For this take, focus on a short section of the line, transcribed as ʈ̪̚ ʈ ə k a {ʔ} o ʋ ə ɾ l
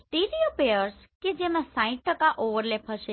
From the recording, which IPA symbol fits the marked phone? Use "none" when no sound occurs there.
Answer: ʔ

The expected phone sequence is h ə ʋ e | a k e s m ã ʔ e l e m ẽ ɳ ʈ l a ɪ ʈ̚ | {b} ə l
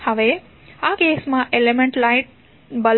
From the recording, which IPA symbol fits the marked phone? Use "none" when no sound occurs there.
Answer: b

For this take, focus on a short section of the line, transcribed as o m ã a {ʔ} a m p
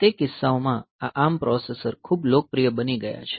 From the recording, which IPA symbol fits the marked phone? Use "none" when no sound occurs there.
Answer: ʔ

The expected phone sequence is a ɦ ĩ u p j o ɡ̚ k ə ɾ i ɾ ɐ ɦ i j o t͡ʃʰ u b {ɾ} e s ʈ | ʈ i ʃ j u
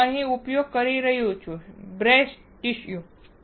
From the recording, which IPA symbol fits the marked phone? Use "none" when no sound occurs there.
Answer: ɾ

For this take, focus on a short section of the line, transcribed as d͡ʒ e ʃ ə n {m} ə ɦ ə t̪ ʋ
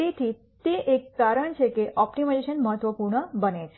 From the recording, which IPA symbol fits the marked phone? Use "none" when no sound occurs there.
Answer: m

